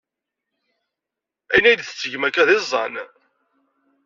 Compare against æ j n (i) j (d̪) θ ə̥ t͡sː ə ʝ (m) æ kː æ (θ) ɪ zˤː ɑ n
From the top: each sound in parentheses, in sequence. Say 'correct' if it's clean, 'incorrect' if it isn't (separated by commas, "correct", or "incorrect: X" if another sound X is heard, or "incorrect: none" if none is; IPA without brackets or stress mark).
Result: incorrect: æ, correct, correct, incorrect: ð